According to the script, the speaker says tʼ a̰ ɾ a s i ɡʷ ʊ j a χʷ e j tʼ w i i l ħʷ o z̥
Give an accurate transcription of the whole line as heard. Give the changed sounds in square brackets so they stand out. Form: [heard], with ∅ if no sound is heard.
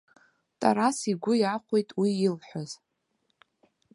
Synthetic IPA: tʼ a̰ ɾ a s i ɡʷ ʊ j a χʷ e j tʼ w i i l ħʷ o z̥